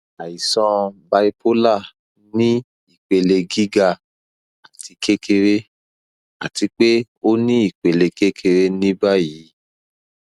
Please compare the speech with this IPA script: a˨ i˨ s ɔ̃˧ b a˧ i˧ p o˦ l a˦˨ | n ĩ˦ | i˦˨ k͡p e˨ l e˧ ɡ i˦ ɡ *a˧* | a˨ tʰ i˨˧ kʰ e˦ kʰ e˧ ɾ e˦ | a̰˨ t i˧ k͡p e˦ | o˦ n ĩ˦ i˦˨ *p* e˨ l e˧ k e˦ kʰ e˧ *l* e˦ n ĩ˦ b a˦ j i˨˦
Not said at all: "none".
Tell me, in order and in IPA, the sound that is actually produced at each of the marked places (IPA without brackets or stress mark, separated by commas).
a˧, k͡p, ɾ